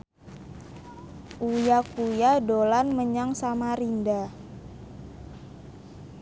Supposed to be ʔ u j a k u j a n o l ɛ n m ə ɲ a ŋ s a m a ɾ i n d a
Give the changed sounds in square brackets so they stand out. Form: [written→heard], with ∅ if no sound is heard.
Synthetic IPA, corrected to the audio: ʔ u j a k u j a [n→d] o l [ɛ→a] n m ə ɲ a ŋ s a m a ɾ i n d a